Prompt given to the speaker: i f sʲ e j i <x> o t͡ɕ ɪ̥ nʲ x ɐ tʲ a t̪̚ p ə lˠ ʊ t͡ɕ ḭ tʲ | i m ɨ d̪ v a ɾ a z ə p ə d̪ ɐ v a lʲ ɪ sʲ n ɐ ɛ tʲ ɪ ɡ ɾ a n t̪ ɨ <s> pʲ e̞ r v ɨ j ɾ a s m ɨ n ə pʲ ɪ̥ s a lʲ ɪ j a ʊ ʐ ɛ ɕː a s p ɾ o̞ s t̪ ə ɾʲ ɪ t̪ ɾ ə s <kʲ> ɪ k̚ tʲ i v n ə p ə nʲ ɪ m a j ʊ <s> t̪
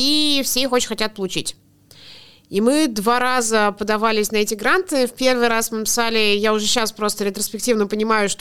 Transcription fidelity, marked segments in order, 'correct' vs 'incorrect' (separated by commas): correct, incorrect, incorrect, incorrect